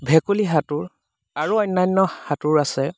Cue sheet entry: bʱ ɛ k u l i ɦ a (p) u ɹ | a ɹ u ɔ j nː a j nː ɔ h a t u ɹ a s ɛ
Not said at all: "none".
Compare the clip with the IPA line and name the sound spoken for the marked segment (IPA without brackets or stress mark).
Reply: t